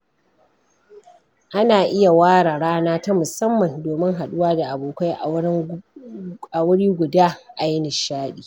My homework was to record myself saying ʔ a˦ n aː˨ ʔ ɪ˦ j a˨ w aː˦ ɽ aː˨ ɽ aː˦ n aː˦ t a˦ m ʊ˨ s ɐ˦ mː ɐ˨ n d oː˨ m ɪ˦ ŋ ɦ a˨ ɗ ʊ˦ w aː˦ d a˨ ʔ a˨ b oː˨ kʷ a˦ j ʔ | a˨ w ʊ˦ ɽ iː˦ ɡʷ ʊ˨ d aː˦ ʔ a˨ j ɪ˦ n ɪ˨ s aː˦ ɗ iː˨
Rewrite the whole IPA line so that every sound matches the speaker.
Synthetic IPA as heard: ʔ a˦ n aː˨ ʔ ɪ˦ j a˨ w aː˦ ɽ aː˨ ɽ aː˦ n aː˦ t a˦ m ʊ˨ s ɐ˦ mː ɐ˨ n d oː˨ m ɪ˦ ŋ ɦ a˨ ɗ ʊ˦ w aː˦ d a˨ ʔ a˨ b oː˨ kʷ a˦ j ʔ | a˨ w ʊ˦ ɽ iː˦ ɡʷ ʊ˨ d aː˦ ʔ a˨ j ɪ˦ n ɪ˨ ʃ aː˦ ɗ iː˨